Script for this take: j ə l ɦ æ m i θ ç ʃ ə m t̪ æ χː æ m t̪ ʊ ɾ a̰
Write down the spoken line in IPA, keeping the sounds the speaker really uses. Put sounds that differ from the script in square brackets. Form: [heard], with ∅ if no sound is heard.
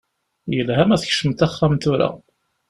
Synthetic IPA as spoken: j ə l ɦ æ m [æ] θ ç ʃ ə m t̪ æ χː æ m t̪ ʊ ɾ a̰